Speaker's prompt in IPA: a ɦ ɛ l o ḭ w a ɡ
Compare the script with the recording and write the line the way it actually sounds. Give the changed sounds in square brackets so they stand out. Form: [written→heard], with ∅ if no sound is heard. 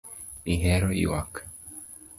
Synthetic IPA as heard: [a→i] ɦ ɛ [l→ɾ] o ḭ w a [ɡ→k]